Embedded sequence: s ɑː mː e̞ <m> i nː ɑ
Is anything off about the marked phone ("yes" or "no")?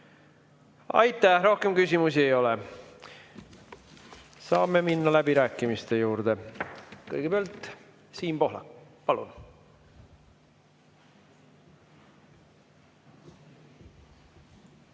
no